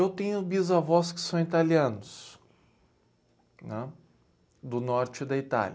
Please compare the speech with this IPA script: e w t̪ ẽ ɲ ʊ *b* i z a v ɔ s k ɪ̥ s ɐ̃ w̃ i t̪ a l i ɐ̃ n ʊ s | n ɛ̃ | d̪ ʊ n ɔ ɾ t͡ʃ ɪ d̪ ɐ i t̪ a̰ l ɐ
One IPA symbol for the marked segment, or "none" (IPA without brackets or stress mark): b